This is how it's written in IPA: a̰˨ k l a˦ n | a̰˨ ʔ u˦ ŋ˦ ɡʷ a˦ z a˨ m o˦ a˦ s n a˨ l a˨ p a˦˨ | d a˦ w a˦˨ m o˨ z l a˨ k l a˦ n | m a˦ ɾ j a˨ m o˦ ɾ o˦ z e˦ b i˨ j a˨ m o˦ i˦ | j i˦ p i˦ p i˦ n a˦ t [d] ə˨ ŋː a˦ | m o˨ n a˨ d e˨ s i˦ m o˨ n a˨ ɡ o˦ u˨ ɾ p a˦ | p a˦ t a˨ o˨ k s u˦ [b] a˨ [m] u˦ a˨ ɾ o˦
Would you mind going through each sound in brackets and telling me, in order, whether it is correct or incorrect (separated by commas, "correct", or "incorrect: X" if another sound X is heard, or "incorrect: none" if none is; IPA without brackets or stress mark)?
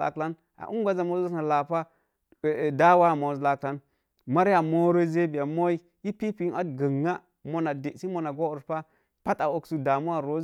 incorrect: ɡ, incorrect: d, correct